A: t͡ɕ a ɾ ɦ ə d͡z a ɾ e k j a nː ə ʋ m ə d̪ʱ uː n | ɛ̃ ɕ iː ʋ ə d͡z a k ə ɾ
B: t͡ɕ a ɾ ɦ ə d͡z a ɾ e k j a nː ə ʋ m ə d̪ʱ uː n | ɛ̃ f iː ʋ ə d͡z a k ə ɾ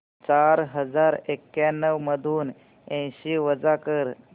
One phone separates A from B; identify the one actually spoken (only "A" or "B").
A